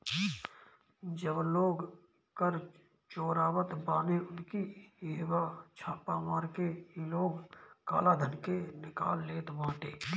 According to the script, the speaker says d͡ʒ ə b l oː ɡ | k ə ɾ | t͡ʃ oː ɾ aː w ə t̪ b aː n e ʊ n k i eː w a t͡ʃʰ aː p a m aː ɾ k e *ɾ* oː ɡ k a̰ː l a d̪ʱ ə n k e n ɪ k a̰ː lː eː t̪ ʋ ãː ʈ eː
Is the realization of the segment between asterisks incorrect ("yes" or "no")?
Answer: yes